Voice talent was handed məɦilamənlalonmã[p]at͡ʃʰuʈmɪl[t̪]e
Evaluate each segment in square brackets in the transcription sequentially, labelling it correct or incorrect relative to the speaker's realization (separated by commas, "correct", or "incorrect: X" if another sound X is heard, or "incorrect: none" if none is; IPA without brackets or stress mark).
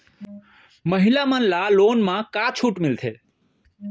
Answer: incorrect: k, incorrect: t̪ʰ